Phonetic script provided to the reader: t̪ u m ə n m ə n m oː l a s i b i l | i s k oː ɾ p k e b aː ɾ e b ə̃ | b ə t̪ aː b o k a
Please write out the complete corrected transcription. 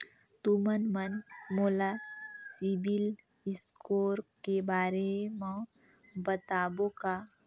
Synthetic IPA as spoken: t̪ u m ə n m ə n m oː l a s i b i l | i s k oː ɾ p k e b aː ɾ e m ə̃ | b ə t̪ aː b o k a

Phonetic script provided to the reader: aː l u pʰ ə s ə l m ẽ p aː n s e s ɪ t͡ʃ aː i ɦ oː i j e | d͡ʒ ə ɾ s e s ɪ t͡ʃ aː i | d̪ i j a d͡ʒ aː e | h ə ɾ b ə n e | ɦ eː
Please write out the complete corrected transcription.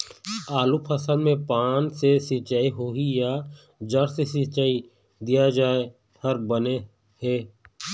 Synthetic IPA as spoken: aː l u pʰ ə s ə l m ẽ p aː n s e s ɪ t͡ʃ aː i ɦ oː i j a | d͡ʒ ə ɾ s e s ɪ t͡ʃ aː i | d̪ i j a d͡ʒ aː e | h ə ɾ b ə n e | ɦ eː

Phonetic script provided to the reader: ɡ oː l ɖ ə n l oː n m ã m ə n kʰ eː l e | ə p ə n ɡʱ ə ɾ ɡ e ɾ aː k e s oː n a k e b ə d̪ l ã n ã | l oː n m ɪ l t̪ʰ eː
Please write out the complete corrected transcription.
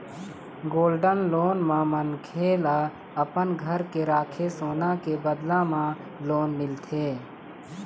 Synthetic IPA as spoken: ɡ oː l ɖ ə n l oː n m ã m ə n kʰ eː l a | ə p ə n ɡʱ ə ɾ k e ɾ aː kʰ e s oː n a k e b ə d̪ l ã m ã | l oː n m ɪ l t̪ʰ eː

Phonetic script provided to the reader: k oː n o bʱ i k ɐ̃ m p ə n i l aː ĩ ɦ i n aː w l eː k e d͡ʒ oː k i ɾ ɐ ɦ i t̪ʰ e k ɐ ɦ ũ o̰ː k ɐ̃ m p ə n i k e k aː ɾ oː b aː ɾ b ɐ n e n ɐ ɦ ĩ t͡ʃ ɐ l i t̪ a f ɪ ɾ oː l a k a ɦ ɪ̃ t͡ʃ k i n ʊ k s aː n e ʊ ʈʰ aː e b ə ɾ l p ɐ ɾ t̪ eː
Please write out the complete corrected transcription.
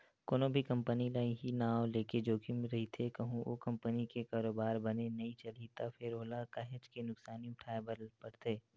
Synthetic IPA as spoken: k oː n o bʱ i k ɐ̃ m p ə n i l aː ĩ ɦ i n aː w l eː k e d͡ʒ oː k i ɾ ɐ ɦ i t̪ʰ e k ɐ ɦ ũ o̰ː k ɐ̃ m p ə n i k e k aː ɾ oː b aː ɾ b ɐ n e n ɐ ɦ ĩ t͡ʃ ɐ l i t̪ a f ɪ ɾ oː l a k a ɦ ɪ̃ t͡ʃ k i n ʊ k s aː n i ʊ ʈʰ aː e b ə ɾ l p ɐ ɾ t̪ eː

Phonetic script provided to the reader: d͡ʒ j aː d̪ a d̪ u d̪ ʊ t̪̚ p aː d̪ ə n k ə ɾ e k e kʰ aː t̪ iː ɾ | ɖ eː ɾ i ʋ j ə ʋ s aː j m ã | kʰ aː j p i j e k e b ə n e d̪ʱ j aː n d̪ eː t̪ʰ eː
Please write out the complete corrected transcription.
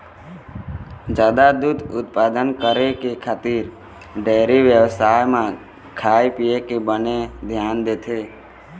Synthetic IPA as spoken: d͡ʒ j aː d̪ a d̪ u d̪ ʊ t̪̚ p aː d̪ ə n k ə ɾ e k e kʰ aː t̪ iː ɾ | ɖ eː ɾ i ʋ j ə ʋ s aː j m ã | kʰ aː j p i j e k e b ə n e d̪ʱ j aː n d̪ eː t̪ʰ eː

